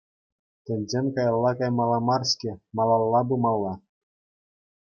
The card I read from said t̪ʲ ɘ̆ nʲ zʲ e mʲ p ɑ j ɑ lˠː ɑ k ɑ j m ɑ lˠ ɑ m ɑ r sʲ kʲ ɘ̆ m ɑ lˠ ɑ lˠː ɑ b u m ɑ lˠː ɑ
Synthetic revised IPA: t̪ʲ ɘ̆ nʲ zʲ e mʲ k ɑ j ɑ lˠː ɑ k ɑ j m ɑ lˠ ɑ m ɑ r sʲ kʲ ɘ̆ m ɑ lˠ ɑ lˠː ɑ b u m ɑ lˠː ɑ